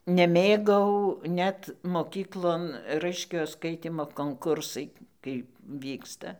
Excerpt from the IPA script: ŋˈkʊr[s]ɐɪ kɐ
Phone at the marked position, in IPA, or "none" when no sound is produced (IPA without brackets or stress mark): s